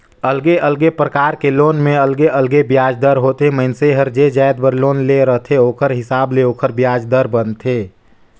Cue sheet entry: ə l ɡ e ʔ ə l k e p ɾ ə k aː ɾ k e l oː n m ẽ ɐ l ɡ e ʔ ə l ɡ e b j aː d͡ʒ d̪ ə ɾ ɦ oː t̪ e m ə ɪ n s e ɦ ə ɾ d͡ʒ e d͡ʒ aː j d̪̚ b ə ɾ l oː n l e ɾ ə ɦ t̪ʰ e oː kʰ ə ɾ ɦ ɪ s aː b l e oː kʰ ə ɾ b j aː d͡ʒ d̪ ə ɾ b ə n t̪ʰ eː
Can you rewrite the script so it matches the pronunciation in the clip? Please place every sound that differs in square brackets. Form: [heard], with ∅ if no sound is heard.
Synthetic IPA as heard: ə l ɡ e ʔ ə l [ɡ] e p ɾ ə k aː ɾ k e l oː n m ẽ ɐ l ɡ e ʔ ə l ɡ e b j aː d͡ʒ d̪ ə ɾ ɦ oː t̪ e m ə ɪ n s e ɦ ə ɾ d͡ʒ e d͡ʒ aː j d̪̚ b ə ɾ l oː n l e ɾ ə ɦ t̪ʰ e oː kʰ ə ɾ ɦ ɪ s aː b l e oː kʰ ə ɾ b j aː d͡ʒ d̪ ə ɾ b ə n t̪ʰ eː